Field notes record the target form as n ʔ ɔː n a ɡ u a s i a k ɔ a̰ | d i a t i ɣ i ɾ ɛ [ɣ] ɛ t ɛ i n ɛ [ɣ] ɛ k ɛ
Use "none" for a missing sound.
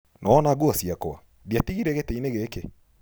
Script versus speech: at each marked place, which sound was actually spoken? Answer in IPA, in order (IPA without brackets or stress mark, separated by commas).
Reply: ɣ, ɣ